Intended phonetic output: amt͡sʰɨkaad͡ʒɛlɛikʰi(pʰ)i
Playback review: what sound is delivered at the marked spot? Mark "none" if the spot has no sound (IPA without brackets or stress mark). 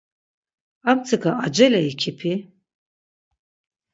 pʰ